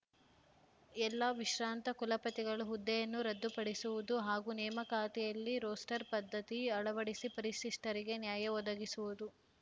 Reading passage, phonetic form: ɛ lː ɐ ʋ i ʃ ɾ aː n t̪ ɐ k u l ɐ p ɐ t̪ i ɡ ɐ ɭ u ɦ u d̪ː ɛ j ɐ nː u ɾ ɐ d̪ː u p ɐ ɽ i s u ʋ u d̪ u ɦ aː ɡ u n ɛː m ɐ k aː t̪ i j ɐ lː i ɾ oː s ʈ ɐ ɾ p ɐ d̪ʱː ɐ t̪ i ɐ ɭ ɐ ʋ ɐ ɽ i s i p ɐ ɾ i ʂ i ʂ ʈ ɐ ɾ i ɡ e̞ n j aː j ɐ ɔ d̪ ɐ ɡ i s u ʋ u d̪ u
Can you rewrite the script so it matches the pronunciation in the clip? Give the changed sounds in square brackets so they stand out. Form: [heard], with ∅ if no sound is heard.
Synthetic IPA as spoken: ɛ lː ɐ ʋ i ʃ ɾ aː n t̪ ɐ k u l ɐ p ɐ t̪ i ɡ ɐ ɭ u ɦ u d̪ː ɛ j ɐ nː u ɾ ɐ d̪ː u p ɐ ɽ i s u ʋ u d̪ u ɦ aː ɡ u n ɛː m ɐ k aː t̪ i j ɐ lː i ɾ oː s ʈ ɐ ɾ p ɐ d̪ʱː ɐ t̪ i ɐ ɭ ɐ ʋ ɐ ɽ i s i p ɐ ɾ i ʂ i ʂ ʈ ɐ ɾ i ɡ e̞ n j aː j ɐ ɔ d̪ ɐ ɡ i s u ʋ u d̪ u